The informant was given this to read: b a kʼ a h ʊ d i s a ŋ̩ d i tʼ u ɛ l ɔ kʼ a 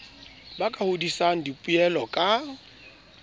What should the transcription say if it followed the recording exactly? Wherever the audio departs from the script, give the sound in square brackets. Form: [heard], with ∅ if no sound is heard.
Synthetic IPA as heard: b a kʼ a h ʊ d i s a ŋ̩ d i [pʼ] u ɛ l ɔ kʼ a